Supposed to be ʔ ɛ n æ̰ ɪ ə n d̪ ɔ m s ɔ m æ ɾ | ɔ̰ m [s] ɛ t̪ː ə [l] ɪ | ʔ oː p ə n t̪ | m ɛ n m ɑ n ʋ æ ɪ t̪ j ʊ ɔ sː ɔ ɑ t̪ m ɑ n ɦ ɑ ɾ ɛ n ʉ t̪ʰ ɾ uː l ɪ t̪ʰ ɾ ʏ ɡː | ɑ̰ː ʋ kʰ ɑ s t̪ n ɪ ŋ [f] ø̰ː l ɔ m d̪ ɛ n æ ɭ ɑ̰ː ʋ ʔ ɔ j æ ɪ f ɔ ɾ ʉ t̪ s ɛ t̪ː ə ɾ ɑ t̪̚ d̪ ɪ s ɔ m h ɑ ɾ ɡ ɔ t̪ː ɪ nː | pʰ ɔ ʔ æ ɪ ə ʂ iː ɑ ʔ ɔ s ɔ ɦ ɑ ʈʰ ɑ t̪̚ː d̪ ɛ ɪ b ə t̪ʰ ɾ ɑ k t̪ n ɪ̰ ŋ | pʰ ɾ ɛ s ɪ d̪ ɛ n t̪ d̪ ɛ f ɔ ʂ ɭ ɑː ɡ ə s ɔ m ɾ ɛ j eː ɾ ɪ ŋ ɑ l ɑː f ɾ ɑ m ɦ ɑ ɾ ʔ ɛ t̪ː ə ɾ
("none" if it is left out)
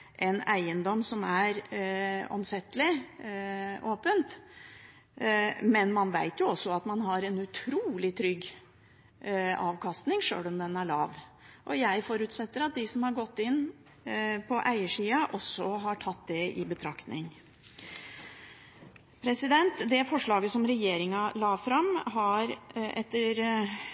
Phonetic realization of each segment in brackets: s, l, ʂ

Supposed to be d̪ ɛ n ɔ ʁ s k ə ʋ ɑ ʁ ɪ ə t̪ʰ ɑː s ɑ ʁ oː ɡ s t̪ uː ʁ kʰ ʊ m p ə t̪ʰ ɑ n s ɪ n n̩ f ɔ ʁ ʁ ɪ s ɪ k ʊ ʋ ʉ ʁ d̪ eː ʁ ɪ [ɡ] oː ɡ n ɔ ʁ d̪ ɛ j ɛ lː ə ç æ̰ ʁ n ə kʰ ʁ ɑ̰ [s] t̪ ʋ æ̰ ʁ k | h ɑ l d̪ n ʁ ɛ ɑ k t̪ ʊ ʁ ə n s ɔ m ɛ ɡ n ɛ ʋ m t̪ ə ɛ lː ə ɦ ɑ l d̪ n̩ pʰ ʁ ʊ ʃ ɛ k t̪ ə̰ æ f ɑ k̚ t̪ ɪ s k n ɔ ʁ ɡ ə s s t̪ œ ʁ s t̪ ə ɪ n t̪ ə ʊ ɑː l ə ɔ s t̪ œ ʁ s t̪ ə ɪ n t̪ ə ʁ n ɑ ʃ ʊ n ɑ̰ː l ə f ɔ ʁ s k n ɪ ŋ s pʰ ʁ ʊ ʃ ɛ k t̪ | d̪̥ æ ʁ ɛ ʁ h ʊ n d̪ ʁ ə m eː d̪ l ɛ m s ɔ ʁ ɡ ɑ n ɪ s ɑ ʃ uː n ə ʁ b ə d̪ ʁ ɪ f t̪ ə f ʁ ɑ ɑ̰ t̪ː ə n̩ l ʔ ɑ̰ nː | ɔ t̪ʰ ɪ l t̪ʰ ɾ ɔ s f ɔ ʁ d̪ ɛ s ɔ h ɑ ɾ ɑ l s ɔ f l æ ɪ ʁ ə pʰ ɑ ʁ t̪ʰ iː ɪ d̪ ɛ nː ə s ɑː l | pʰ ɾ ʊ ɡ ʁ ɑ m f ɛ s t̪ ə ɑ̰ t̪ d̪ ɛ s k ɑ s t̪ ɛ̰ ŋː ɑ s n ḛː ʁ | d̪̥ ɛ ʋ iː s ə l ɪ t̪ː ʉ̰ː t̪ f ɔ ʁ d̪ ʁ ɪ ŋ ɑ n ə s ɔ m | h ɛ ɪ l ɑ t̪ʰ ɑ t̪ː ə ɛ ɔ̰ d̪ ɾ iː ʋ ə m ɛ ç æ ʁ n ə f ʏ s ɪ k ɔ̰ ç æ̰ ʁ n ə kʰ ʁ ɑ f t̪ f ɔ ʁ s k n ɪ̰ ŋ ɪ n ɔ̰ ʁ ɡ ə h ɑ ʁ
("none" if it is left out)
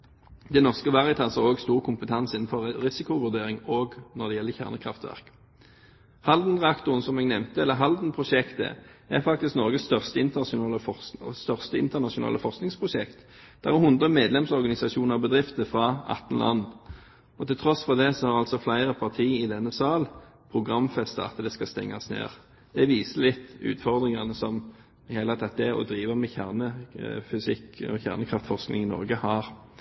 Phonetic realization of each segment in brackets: ŋ, f

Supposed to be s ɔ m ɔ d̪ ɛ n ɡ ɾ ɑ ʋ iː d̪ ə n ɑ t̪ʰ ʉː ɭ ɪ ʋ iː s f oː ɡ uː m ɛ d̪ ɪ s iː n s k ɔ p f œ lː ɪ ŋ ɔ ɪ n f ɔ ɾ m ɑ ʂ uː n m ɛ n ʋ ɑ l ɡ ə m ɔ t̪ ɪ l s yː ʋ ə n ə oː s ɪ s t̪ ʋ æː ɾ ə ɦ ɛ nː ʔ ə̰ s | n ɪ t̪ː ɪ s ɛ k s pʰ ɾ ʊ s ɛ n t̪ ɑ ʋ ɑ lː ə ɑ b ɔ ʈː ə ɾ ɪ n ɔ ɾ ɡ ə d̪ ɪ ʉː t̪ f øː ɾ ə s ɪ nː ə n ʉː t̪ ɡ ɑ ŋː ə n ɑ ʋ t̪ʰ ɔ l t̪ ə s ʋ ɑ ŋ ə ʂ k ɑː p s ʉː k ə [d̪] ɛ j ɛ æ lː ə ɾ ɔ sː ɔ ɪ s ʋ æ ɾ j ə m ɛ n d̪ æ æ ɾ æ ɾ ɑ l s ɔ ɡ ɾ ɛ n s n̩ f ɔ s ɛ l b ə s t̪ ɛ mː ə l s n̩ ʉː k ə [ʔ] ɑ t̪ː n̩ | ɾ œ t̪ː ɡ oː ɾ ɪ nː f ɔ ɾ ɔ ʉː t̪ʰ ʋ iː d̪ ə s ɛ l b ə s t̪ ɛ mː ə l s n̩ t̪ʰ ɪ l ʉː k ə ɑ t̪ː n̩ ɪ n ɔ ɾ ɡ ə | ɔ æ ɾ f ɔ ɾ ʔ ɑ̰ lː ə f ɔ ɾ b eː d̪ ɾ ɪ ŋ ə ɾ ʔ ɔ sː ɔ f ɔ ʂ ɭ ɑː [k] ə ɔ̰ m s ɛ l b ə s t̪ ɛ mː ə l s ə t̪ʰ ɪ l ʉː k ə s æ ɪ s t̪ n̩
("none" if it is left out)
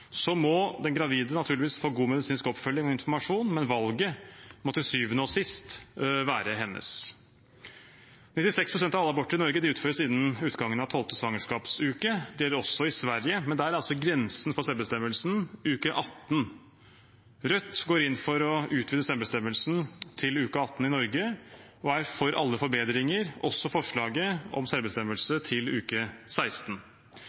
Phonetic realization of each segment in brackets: d̪, ʔ, ɡ

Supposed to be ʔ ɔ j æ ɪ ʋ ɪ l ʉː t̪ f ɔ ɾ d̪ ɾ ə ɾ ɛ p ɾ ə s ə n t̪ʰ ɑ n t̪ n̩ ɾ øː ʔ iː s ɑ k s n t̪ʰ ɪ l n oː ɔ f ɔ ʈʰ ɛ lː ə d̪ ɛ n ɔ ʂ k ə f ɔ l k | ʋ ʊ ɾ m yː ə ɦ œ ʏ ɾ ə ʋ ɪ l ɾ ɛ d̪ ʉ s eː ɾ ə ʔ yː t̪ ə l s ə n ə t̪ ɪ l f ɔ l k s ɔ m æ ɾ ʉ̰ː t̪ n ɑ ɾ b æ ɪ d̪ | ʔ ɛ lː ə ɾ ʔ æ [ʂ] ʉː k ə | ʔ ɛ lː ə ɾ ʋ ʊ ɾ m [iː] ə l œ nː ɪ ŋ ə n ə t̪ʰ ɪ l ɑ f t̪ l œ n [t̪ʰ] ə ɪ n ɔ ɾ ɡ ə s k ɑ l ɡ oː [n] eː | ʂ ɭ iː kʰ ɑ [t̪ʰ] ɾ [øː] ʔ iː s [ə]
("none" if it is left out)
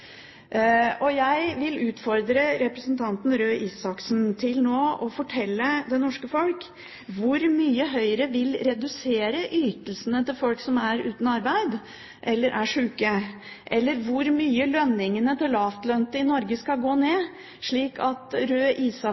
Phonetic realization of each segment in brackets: ʂ, yː, t̪, n, t̪, øː, ɑ

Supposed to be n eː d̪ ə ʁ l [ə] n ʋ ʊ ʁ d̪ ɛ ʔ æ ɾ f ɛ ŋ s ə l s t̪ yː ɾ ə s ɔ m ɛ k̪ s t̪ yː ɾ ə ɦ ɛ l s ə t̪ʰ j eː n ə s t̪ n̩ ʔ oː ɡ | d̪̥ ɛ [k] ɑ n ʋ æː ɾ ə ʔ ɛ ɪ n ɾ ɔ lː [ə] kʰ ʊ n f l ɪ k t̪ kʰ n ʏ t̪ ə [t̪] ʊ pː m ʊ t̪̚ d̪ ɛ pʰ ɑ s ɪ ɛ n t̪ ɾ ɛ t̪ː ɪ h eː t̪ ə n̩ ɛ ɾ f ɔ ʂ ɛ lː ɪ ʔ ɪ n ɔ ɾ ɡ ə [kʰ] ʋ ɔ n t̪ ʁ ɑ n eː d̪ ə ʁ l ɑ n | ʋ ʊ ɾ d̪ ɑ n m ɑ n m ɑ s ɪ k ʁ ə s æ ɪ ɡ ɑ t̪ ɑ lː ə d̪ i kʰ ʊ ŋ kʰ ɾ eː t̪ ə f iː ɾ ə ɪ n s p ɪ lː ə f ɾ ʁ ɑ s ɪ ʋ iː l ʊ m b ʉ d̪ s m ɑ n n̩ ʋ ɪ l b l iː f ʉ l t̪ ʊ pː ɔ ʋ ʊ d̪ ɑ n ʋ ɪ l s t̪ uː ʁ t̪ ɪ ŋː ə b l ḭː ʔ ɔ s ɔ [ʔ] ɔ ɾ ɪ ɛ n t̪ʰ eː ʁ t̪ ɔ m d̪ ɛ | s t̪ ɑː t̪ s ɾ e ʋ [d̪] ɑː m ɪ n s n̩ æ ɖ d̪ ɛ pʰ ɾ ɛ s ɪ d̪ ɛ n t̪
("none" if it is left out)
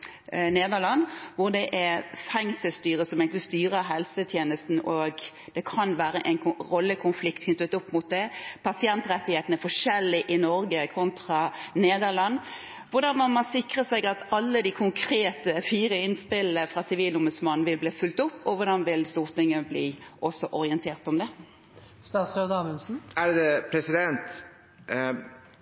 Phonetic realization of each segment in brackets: ɑ, kʰ, ə, t̪, kʰ, ʔ, d̪

